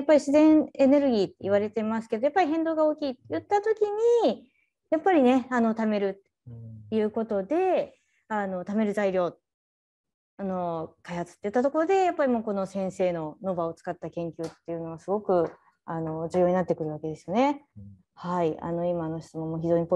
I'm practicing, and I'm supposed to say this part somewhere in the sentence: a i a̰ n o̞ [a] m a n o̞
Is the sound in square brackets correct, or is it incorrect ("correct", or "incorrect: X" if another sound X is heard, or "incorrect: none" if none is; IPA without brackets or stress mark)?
incorrect: i